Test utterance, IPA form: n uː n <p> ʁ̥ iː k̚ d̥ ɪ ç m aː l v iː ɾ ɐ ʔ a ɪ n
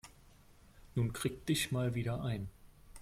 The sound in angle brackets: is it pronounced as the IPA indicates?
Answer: no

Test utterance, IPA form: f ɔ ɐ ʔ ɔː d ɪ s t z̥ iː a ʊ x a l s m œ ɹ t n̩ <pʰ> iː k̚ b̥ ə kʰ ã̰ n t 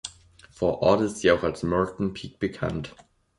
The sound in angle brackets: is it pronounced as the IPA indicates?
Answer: yes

